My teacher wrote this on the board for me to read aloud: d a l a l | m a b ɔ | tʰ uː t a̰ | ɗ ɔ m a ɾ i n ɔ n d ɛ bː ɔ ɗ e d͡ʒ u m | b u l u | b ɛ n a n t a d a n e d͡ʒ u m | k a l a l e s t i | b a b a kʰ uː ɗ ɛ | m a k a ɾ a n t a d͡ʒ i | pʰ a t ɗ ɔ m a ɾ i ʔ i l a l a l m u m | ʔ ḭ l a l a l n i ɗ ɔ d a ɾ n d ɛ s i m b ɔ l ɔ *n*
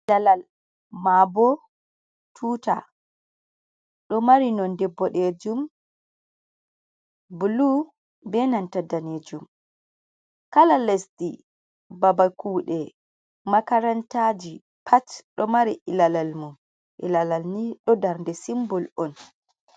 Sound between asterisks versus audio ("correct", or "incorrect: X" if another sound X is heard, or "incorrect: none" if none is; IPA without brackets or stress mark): correct